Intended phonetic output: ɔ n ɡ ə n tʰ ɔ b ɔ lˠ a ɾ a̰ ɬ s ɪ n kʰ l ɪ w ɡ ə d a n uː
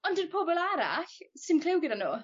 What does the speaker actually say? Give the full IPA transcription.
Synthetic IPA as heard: ɔ n d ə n pʰ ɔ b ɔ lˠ a ɾ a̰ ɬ s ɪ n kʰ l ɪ w ɡ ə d a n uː